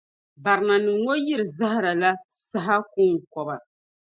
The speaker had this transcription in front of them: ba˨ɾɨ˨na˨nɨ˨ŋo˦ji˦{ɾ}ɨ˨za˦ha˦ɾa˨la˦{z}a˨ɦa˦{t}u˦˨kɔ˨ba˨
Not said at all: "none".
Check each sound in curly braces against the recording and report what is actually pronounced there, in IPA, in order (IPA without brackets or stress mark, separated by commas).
ɾ, s, k